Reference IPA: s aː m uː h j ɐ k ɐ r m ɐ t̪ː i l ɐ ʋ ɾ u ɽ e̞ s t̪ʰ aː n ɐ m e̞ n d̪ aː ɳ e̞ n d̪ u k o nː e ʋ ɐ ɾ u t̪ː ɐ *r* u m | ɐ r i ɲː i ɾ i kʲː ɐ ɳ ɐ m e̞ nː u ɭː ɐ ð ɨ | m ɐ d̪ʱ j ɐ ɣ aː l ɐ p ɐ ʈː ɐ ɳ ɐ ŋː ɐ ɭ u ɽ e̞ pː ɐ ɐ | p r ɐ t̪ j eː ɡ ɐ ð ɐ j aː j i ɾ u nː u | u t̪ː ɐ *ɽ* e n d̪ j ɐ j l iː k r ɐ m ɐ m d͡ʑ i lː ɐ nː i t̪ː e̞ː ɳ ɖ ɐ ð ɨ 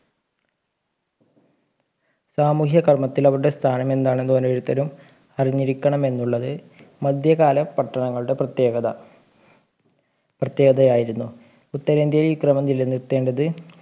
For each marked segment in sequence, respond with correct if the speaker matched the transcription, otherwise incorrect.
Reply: incorrect, incorrect

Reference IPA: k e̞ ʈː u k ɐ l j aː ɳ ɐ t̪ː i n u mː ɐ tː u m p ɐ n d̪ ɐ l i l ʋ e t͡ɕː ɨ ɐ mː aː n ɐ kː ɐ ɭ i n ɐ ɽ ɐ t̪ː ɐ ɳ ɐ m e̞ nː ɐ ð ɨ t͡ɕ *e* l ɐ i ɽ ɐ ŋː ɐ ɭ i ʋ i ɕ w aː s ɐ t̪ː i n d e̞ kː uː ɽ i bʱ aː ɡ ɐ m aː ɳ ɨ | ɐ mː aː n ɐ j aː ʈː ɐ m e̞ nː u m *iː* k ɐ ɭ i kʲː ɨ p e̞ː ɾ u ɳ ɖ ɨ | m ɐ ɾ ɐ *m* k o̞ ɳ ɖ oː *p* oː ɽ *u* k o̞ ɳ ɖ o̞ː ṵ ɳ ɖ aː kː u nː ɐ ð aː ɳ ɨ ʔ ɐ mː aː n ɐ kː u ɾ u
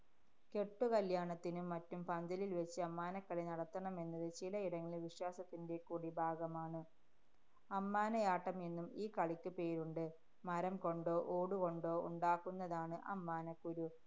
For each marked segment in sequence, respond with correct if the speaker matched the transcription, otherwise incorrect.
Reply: incorrect, correct, correct, incorrect, correct

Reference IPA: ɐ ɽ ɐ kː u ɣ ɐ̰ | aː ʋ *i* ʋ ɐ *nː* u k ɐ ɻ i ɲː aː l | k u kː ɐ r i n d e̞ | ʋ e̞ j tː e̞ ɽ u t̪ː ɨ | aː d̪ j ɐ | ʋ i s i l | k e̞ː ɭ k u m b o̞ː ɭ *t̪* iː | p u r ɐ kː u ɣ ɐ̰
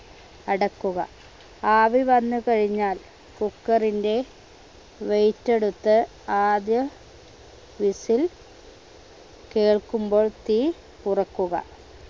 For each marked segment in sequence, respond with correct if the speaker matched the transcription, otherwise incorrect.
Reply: correct, correct, correct

